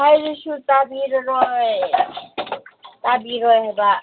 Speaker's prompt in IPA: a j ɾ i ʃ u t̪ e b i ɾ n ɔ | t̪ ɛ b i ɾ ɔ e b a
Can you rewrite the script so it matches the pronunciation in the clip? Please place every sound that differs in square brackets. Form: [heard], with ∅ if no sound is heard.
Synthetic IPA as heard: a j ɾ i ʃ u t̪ [a] b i ɾ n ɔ | t̪ [a] b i ɾ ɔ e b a